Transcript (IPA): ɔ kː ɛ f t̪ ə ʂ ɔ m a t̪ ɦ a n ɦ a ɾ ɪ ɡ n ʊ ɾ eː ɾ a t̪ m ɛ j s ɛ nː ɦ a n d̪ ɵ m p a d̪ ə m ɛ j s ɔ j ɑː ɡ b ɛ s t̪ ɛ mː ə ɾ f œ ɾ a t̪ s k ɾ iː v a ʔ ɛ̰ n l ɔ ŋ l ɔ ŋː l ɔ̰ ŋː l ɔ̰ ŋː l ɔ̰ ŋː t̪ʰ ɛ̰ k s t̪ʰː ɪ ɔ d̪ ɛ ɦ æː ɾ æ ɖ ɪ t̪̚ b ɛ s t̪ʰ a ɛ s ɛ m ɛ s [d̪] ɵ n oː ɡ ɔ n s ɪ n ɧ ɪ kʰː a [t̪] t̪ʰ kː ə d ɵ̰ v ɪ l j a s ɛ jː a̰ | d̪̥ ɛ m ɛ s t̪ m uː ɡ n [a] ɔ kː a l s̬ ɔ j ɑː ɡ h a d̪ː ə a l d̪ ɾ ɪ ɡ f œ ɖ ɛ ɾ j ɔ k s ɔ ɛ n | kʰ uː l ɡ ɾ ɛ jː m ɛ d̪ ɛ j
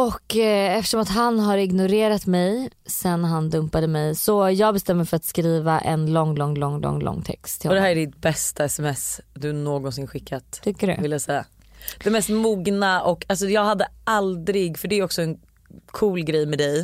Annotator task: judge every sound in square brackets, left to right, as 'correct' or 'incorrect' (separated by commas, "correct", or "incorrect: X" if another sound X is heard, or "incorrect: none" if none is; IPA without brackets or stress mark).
correct, correct, correct